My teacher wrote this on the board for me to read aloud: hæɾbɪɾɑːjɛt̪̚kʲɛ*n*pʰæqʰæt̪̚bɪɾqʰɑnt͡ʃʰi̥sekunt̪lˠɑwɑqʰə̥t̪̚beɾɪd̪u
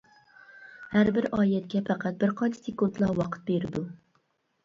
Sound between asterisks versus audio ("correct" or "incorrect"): incorrect